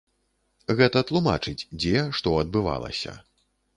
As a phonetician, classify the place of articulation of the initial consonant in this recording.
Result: velar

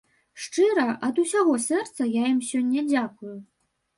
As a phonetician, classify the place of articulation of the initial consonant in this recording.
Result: retroflex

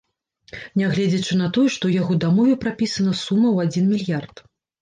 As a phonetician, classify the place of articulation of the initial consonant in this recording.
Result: alveolar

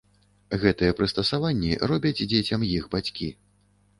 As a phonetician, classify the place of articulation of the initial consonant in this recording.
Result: velar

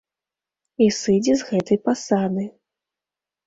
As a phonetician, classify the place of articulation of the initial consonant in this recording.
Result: alveolar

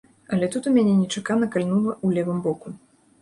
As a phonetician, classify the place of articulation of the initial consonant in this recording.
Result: alveolar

